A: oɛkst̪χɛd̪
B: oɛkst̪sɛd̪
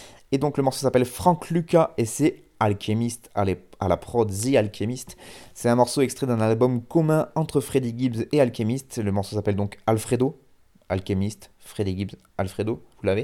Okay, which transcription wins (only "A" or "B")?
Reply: A